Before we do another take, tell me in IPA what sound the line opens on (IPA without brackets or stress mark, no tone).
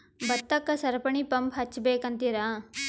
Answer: b